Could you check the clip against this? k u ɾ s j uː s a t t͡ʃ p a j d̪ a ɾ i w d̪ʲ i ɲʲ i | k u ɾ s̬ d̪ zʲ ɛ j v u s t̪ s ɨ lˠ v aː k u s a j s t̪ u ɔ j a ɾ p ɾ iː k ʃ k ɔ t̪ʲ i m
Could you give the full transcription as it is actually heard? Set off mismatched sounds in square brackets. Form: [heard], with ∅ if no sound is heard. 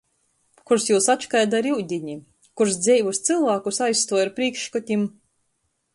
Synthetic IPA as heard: k u ɾ s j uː s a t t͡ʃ [k] a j d̪ a ɾ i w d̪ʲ i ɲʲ i | k u ɾ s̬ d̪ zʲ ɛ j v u s t̪ s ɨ lˠ v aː k u s a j s t̪ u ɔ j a ɾ p ɾ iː k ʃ k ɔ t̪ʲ i m